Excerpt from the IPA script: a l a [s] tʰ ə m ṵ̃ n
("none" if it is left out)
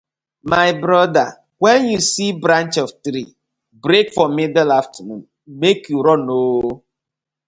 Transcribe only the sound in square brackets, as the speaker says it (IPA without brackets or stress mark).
f